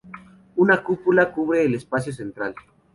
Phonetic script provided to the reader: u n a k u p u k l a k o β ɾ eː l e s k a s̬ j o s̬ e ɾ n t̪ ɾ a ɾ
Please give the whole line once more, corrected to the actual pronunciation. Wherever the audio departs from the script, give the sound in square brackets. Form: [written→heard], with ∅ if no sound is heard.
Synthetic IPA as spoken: u n a k u p u [k→∅] l a k [o→u] β ɾ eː l e s [k→p] a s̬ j o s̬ e [ɾ→∅] n t̪ ɾ a [ɾ→l]